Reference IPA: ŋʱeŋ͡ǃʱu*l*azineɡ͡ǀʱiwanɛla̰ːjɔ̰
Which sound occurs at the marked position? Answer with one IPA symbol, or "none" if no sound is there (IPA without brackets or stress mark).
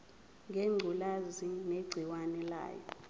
l